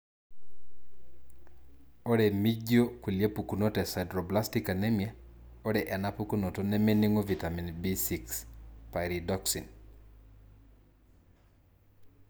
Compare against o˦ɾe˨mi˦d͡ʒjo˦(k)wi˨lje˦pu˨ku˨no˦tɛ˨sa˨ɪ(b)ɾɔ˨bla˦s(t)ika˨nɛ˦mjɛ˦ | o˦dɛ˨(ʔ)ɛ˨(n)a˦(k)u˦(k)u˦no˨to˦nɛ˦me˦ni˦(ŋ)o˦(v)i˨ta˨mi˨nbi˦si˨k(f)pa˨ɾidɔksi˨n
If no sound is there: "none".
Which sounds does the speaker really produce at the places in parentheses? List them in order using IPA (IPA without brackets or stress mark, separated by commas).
k, d, t, ʔ, n, p, k, ŋ, v, s